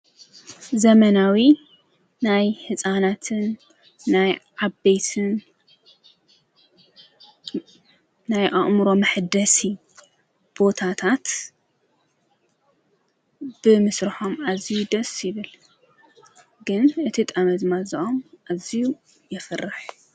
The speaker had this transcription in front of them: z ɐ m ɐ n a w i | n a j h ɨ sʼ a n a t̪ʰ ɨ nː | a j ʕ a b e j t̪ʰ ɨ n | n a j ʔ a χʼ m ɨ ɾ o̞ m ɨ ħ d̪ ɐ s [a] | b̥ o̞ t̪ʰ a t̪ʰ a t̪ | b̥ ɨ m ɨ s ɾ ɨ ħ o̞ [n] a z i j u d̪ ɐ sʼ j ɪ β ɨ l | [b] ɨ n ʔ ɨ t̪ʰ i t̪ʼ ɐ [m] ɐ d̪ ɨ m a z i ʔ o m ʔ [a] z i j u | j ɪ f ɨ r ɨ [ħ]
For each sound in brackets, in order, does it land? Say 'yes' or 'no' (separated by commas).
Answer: no, no, no, yes, yes, yes